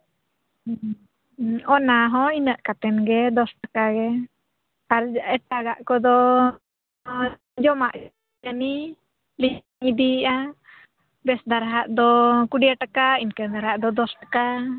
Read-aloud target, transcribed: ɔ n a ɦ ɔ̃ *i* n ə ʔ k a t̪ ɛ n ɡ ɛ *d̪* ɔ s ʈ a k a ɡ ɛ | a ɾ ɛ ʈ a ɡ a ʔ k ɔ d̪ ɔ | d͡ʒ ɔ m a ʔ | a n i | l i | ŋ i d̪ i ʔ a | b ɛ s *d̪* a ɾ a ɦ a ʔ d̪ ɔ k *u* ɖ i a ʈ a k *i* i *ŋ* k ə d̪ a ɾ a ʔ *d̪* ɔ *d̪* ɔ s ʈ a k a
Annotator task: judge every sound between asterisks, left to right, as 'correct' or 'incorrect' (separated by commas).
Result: correct, correct, correct, correct, incorrect, incorrect, correct, correct